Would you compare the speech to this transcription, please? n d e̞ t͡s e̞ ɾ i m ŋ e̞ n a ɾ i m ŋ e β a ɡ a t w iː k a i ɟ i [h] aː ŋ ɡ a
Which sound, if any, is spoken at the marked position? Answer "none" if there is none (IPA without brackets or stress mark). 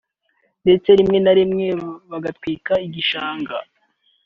ʃ